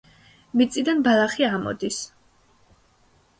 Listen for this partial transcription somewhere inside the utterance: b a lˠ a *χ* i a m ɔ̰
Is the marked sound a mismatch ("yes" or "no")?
no